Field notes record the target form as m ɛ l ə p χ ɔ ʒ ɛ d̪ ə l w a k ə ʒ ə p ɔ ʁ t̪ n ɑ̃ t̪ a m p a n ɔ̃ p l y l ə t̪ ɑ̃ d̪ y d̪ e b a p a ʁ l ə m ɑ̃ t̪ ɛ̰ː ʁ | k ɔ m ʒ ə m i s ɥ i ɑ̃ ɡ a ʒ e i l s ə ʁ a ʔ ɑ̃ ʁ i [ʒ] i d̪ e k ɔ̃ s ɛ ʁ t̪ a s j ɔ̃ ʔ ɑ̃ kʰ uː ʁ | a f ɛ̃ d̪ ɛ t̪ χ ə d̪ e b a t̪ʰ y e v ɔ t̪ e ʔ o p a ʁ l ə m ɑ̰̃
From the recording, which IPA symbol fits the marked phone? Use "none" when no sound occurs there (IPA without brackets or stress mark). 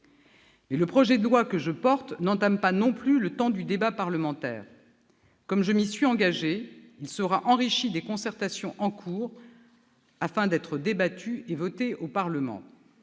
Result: ʃ